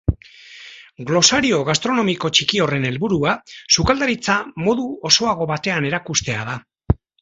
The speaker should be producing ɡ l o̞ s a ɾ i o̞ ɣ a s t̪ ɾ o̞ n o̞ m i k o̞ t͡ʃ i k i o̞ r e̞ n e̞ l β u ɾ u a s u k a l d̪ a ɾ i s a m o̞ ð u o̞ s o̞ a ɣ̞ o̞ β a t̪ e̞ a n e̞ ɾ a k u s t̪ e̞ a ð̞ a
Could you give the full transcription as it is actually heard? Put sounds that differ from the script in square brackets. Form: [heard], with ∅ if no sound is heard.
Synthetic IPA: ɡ l o̞ s a ɾ i o̞ ɣ a s t̪ ɾ o̞ n o̞ m i k o̞ t͡ʃ i k i o̞ r e̞ n e̞ l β u ɾ u a s u k a l d̪ a ɾ i [t͡s] a m o̞ ð u o̞ s o̞ a ɣ̞ o̞ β a t̪ e̞ a n e̞ ɾ a k u s t̪ e̞ a ð̞ a